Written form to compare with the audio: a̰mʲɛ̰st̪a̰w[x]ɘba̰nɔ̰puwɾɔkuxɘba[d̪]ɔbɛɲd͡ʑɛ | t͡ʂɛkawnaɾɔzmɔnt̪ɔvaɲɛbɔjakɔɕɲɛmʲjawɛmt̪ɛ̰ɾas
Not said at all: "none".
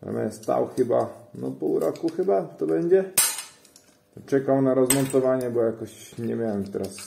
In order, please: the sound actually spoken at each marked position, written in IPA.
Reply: x, t̪

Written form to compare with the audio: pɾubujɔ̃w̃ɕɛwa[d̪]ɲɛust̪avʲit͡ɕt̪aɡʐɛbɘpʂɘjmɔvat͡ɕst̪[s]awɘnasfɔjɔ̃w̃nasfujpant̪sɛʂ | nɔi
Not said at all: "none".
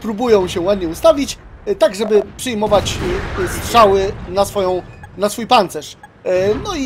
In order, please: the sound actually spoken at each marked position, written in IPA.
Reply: d̪, ʂ

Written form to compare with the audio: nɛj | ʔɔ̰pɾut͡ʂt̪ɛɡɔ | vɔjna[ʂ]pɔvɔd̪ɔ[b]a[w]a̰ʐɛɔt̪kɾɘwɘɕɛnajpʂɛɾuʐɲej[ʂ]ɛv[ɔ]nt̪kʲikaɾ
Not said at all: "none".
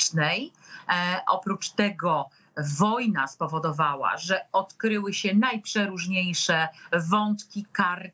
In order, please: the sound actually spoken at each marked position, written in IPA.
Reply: s, v, w, ʂ, ɔ

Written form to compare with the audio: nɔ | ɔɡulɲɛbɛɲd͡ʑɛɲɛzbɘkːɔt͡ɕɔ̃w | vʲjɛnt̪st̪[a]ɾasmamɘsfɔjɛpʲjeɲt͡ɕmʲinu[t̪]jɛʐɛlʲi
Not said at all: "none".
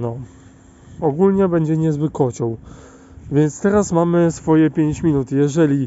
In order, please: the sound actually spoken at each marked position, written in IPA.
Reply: ɛ, t̪

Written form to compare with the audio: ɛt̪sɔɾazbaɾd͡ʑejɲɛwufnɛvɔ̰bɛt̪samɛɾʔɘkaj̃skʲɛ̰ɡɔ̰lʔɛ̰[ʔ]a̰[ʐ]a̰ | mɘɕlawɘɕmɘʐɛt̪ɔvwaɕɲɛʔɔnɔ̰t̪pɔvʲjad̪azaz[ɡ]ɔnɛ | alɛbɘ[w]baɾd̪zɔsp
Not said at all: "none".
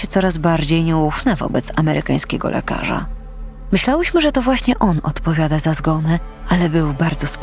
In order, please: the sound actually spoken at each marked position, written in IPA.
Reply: k, ʐ, ɡ, w

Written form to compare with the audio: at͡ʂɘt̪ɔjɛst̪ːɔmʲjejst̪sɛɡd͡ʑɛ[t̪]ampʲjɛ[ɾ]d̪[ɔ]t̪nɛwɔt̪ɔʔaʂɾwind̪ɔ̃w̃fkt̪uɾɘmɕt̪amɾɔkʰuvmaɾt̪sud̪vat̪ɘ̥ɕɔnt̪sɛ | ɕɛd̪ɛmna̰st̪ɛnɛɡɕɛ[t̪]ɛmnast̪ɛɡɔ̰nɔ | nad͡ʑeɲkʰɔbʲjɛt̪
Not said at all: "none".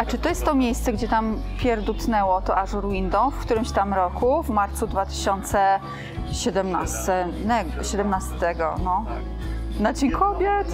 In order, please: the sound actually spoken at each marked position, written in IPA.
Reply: t̪, ɾ, u, d̪

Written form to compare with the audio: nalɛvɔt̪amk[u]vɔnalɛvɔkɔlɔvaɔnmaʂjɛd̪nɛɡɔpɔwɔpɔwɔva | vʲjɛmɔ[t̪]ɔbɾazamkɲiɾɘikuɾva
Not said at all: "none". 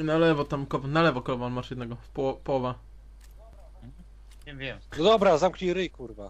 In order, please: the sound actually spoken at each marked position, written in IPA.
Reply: ɔ, d̪

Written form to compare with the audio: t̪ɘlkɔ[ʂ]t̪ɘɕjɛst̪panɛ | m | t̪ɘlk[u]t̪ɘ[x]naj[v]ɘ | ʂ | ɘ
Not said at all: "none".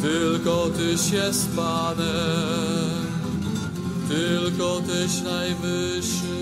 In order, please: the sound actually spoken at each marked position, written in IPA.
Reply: none, ɔ, ɕ, v

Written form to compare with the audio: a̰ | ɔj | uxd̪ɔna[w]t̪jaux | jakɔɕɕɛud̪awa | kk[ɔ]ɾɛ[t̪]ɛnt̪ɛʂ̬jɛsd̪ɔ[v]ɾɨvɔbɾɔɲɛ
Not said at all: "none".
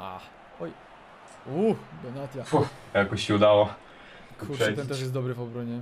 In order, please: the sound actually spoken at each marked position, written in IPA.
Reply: none, u, t̪, b

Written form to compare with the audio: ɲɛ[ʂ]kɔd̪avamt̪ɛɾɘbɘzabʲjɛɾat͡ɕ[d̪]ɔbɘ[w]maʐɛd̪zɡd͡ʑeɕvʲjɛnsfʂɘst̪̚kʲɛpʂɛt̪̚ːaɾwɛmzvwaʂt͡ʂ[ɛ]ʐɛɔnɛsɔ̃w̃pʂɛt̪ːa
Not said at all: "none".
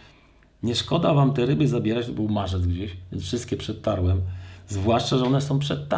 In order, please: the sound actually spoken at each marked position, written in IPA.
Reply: ʂ, t̪, w, a

